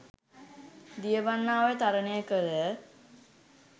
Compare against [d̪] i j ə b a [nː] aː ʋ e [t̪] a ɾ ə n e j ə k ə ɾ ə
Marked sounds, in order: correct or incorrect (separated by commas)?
correct, correct, correct